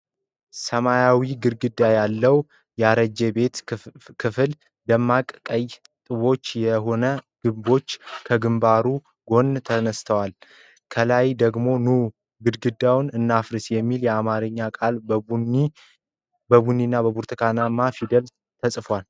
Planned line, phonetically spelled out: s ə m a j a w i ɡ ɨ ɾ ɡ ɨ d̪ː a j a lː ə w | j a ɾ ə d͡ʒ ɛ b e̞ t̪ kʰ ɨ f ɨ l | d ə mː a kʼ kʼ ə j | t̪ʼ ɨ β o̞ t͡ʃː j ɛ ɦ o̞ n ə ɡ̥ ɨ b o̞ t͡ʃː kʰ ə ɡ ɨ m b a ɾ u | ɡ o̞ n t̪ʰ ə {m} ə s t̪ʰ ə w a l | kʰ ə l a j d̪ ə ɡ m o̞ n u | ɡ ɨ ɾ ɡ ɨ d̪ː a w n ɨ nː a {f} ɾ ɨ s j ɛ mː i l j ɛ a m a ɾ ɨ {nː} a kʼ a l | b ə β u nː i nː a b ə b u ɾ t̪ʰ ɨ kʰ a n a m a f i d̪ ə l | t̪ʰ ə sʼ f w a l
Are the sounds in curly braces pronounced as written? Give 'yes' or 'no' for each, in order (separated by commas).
no, yes, no